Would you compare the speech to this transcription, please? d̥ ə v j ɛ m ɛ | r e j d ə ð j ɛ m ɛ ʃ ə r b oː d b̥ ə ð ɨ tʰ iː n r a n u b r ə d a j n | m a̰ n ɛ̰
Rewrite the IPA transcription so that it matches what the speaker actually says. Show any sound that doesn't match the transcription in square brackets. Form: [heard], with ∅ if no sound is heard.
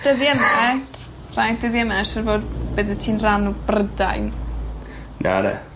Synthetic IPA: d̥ ə [ð] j ɛ m ɛ | r [a] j d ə ð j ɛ m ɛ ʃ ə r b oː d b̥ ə ð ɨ tʰ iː n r a n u b r ə d a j n | [n] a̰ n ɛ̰

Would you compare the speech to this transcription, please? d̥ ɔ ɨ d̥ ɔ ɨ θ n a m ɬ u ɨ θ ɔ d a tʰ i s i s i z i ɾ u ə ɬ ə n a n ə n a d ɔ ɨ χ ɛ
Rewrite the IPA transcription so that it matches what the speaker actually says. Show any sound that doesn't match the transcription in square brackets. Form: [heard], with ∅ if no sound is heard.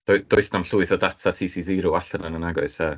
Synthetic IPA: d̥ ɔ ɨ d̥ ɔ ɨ [s] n a m ɬ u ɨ θ ɔ d a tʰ [a] s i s i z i ɾ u [a] ɬ ə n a n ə n a [ɡ] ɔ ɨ [s] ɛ

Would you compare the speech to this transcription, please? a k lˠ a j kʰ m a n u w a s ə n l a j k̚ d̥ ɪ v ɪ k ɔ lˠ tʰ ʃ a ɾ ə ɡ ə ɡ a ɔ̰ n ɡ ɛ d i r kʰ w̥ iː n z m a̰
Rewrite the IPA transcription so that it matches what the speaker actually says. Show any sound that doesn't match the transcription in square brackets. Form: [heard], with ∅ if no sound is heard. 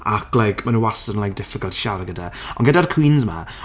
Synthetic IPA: a k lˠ a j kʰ m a n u w a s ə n l a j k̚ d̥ ɪ [f] ɪ k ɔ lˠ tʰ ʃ a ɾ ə ɡ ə [d] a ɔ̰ n ɡ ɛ d [a] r kʰ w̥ iː n z m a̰

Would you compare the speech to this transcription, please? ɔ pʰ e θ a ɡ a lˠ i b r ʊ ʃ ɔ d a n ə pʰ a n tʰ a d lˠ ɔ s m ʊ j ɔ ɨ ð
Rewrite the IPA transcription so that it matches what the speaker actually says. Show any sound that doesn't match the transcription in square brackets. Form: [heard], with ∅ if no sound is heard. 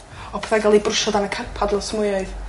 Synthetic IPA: ɔ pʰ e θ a ɡ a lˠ i b r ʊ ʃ ɔ d a n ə [kʰ] a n [pʰ] a d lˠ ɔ s m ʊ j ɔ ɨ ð

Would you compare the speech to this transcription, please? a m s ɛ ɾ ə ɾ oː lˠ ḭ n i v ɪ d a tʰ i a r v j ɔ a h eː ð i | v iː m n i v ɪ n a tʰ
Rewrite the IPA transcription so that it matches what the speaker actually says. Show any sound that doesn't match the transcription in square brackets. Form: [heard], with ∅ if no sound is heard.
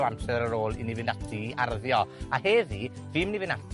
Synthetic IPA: a m s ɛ ɾ ə ɾ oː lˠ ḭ n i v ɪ [n] a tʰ i a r [ð] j ɔ a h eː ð i | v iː m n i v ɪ n a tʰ

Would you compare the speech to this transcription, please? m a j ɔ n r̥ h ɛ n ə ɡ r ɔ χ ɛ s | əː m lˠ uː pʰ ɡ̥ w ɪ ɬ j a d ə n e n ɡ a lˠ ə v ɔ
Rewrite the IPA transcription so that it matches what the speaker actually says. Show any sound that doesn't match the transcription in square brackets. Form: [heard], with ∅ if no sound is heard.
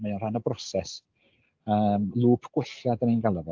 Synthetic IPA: m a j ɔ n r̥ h [a] n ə [b] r ɔ [s] ɛ s | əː m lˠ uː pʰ ɡ̥ w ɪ ɬ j a d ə n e n ɡ a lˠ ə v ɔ

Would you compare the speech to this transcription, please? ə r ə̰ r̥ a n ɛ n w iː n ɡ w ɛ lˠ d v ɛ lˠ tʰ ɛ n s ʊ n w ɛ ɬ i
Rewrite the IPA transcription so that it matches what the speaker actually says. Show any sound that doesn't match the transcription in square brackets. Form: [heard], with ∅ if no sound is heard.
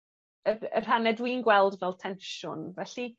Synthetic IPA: ə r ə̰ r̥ a n ɛ [d] w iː n ɡ w ɛ lˠ d v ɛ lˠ tʰ ɛ n [ʃ] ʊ n [v] ɛ ɬ i

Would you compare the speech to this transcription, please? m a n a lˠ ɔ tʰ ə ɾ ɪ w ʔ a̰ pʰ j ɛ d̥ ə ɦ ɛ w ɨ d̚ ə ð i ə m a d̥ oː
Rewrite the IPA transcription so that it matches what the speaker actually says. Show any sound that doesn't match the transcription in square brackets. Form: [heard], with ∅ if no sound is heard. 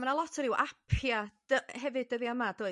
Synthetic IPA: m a n a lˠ ɔ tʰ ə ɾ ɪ w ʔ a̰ pʰ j [a] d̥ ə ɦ ɛ [v] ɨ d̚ ə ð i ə m a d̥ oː

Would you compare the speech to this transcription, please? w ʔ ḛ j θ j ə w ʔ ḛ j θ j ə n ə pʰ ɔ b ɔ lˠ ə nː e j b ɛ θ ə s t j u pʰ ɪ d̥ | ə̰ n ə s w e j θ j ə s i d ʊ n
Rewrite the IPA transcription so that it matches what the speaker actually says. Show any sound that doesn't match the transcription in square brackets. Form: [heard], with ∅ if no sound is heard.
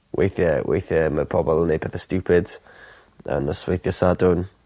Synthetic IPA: w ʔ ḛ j θ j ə w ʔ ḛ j θ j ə [m] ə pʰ ɔ b ɔ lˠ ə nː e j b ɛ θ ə s t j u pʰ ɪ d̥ | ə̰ n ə s w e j θ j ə s [a] d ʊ n

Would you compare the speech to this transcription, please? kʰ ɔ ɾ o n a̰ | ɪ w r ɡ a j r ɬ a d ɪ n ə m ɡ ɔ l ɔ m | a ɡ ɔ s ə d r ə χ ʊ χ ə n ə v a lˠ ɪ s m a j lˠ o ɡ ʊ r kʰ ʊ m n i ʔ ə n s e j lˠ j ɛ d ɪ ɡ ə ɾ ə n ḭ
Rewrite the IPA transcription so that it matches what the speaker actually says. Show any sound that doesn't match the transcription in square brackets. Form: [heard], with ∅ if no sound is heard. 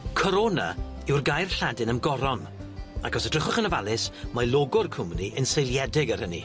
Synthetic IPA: kʰ ɔ ɾ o n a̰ | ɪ w r ɡ a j r ɬ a d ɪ n ə m ɡ ɔ [ɾ] ɔ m | a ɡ ɔ s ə d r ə χ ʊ χ ə n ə v a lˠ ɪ s m a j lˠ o ɡ ʊ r kʰ ʊ m n i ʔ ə n s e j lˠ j ɛ d ɪ ɡ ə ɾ ə n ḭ

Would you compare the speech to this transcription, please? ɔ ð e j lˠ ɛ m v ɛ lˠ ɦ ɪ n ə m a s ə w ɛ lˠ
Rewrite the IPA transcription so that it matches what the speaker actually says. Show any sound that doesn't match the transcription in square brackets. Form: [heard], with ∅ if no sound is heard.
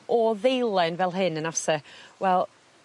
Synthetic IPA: ɔ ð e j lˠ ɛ [n] v ɛ lˠ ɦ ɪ n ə [n] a s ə w ɛ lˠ

